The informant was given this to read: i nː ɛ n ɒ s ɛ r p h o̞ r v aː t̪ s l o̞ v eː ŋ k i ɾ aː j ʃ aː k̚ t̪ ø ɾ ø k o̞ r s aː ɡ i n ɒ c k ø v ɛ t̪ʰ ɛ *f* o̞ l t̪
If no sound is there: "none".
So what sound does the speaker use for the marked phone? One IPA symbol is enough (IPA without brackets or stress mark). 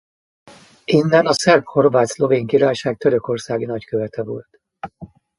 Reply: v